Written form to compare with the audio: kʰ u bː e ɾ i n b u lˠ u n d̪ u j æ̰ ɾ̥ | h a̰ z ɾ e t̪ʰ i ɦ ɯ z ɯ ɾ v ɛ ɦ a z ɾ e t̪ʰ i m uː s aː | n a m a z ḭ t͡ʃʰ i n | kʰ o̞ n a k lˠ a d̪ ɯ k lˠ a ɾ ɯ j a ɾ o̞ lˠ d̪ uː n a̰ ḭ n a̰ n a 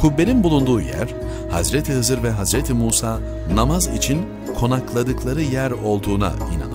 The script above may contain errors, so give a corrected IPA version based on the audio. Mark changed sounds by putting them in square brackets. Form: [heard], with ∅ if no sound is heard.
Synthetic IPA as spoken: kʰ u bː e ɾ i n b u lˠ u n d̪ [uː] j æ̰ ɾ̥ | h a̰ z ɾ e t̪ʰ i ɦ ɯ z ɯ ɾ v ɛ ɦ a z ɾ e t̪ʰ i m uː s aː | n a m a z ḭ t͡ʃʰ i n | kʰ o̞ n a k lˠ a d̪ ɯ k lˠ a ɾ ɯ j [æ] ɾ o̞ lˠ d̪ uː n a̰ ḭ n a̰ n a